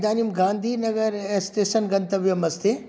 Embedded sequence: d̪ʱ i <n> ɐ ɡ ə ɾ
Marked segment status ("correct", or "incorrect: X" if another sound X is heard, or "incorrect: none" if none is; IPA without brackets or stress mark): correct